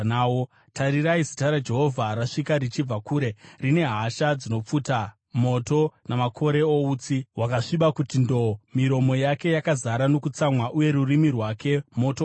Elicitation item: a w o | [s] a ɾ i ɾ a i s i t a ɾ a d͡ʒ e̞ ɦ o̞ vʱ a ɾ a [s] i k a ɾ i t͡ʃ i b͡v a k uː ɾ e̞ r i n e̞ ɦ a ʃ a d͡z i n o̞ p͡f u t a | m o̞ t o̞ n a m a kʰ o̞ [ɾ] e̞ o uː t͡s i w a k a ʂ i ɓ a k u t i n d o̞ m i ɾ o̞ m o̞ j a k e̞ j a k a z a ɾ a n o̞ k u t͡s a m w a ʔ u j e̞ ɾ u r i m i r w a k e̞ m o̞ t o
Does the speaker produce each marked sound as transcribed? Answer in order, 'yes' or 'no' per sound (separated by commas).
no, no, yes